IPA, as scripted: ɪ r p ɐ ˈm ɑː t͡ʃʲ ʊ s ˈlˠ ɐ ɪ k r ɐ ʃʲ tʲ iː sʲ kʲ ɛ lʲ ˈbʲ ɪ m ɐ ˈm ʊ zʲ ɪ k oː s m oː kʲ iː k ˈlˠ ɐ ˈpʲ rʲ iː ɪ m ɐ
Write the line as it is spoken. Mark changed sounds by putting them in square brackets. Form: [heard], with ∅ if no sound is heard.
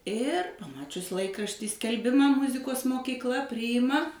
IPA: ɪ r p ɐ ˈm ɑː t͡ʃʲ ʊ s ˈlˠ ɐ ɪ k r ɐ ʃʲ tʲ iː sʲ kʲ ɛ lʲ ˈbʲ ɪ m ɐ ˈm ʊ zʲ ɪ k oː s m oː kʲ iː k ˈlˠ ɐ ˈpʲ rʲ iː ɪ m ɐ

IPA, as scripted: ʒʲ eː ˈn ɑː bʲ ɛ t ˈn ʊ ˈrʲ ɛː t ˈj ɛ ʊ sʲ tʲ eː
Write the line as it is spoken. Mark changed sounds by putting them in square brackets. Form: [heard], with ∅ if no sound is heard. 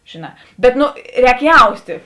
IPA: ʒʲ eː ˈn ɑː bʲ ɛ t ˈn ʊ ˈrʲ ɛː [k] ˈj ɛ ʊ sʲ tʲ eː

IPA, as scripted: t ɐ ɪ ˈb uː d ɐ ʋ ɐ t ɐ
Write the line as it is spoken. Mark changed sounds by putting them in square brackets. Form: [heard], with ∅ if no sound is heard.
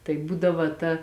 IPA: t ɐ ɪ ˈb uː d ɐ ʋ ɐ t ɐ

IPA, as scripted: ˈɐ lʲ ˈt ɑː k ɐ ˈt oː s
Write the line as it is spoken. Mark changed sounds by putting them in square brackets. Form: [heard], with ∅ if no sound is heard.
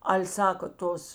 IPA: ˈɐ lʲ [ˈs] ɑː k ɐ ˈt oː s

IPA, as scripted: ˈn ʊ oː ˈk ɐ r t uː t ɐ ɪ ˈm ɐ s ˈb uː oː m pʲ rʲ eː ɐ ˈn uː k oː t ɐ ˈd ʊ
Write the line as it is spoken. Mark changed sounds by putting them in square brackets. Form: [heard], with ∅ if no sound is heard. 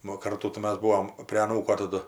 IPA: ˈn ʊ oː ˈk ɐ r t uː t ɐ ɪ ˈm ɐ s ˈb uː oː m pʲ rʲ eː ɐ ˈn uː k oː t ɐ ˈd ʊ

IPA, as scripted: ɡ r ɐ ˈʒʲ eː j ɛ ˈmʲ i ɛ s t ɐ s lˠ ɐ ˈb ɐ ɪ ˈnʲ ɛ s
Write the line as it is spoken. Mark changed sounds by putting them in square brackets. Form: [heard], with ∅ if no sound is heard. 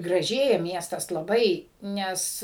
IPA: ɡ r ɐ ˈʒʲ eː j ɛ ˈmʲ i ɛ s t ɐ s lˠ ɐ ˈb ɐ ɪ ˈnʲ ɛ s

